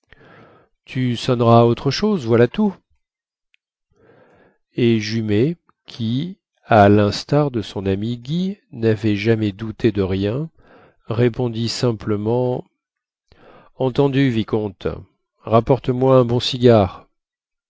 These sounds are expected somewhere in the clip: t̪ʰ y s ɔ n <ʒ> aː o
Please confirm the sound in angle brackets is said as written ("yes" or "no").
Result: no